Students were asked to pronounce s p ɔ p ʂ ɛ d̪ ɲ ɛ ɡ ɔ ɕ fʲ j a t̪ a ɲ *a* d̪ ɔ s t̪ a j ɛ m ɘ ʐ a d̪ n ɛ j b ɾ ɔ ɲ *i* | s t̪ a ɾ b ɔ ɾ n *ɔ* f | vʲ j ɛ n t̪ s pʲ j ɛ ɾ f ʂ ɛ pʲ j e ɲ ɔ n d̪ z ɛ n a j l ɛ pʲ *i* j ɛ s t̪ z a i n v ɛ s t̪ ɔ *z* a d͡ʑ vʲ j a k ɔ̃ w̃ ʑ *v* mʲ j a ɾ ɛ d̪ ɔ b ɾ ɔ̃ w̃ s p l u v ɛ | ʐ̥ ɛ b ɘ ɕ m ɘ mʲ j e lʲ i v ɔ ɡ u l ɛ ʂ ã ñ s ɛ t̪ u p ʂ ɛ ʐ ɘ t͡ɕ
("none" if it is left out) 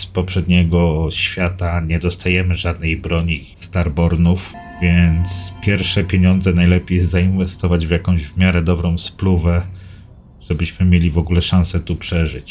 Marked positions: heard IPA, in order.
ɛ, i, u, e, v, v

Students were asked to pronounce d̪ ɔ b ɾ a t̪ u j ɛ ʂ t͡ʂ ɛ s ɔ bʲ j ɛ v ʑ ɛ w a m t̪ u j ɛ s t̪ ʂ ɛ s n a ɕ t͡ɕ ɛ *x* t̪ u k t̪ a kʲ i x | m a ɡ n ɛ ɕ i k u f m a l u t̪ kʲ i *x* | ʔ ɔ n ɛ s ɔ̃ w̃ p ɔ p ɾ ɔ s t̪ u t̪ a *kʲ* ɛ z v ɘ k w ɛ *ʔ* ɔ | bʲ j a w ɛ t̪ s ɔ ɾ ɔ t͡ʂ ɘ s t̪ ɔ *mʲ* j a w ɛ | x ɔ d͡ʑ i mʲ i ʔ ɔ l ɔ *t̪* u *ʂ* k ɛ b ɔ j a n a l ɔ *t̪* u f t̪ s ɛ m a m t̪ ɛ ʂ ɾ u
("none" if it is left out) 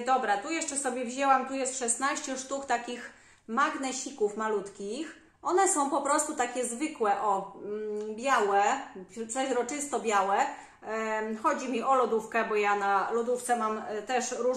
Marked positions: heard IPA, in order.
ʂ, x, kʲ, ʔ, bʲ, d̪, f, d̪

